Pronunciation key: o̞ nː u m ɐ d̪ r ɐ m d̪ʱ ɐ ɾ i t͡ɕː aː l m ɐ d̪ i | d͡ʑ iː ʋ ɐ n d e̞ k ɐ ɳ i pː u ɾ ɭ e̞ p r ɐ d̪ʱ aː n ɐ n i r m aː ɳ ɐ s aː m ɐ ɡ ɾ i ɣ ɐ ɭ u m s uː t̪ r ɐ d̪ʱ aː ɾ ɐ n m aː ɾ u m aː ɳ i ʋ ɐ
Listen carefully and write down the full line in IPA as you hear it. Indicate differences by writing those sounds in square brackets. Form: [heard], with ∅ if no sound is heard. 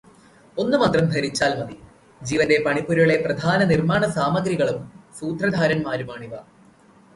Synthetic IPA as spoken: o̞ nː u m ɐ [t̪] r ɐ m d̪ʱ ɐ ɾ i t͡ɕː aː l m ɐ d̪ i | d͡ʑ iː ʋ ɐ n d e̞ [p] ɐ ɳ i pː u ɾ ɭ e̞ p r ɐ d̪ʱ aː n ɐ n i r m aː ɳ ɐ s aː m ɐ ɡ ɾ i ɣ ɐ ɭ u m s uː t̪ r ɐ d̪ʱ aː ɾ ɐ n m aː ɾ u m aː ɳ i ʋ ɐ